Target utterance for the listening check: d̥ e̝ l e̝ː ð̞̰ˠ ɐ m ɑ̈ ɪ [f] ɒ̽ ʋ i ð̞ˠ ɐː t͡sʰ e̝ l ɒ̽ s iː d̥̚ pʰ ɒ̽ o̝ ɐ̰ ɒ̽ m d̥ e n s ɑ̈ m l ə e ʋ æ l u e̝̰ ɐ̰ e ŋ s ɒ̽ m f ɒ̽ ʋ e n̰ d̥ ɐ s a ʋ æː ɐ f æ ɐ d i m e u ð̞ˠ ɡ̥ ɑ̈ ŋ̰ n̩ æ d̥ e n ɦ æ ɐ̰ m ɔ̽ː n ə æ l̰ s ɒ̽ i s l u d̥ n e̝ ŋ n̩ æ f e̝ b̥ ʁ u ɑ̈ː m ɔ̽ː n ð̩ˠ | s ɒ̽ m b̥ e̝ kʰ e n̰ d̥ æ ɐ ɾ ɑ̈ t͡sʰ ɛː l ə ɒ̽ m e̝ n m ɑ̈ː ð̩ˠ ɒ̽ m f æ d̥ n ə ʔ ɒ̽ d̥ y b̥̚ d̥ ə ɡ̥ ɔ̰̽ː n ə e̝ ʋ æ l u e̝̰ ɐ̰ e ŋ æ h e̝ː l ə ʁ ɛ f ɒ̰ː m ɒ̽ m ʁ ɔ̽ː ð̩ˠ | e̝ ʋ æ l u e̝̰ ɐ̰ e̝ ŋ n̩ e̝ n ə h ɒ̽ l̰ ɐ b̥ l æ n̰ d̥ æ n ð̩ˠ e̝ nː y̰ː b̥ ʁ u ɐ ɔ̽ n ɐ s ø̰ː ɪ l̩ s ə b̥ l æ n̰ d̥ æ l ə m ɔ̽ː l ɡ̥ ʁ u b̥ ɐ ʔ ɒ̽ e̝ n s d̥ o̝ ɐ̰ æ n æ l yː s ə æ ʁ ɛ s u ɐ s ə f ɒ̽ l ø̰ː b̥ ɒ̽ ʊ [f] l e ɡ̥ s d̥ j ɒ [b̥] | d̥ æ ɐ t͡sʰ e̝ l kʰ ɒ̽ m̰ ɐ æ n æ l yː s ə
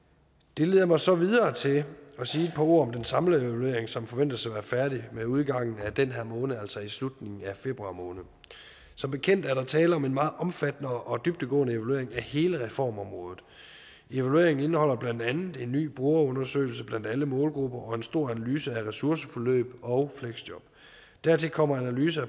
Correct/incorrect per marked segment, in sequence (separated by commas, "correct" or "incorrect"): incorrect, correct, correct